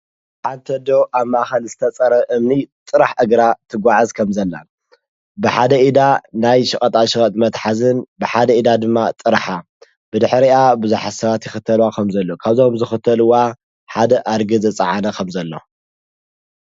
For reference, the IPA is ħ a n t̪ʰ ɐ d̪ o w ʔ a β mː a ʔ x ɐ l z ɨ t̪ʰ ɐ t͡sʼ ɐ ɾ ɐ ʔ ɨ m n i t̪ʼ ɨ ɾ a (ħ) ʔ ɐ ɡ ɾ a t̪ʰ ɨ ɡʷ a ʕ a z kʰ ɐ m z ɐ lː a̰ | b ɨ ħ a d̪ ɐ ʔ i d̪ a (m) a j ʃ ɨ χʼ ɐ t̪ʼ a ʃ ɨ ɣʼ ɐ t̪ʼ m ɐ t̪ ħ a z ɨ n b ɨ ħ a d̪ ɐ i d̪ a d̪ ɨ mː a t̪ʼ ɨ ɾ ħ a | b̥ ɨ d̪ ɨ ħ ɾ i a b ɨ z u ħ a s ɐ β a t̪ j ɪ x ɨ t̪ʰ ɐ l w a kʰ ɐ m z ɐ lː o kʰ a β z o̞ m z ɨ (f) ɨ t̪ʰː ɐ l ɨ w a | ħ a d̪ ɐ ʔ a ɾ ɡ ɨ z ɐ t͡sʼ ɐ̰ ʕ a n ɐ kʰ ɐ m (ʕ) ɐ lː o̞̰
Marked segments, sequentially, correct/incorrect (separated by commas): correct, incorrect, incorrect, incorrect